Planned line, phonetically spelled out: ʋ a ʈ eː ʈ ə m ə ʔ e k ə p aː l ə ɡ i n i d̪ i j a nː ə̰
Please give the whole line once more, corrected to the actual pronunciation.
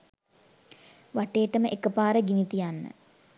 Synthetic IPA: ʋ a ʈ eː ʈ ə m ə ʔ e k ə p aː ɾ ə ɡ i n i t̪ i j a nː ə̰